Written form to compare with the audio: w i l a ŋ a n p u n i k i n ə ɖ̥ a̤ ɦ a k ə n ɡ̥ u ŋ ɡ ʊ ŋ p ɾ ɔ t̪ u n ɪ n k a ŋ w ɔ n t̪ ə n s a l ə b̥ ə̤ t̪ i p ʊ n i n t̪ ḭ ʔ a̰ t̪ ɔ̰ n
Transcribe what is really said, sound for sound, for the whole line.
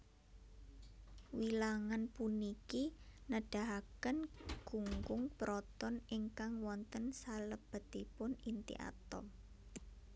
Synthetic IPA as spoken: w i l a ŋ a n p u n i k i n ə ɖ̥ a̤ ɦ a k ə n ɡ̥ u ŋ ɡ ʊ ŋ p ɾ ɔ t̪ ɔ n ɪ ŋ k a ŋ w ɔ n t̪ ə n s a l ə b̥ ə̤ t̪ i p ʊ n i n t̪ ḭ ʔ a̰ t̪ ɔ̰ m